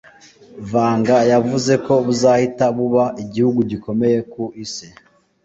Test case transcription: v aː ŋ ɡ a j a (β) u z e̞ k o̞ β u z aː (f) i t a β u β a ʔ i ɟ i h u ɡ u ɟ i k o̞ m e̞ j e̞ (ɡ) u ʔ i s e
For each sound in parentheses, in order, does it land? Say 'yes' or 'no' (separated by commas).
no, no, no